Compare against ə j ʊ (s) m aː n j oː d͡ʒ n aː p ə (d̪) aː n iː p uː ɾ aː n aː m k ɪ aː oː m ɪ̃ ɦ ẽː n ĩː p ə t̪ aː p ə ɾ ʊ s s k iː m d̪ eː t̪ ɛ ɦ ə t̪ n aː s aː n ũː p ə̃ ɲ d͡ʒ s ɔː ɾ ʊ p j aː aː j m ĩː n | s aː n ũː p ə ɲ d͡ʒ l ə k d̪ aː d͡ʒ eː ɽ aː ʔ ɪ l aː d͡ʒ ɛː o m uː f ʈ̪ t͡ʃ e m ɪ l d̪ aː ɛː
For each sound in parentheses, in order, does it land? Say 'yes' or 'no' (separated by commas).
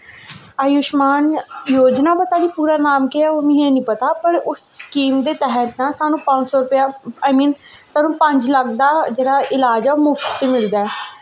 no, no